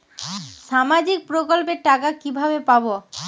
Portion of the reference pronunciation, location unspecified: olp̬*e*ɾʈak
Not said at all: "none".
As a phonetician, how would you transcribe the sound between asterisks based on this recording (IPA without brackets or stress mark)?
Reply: e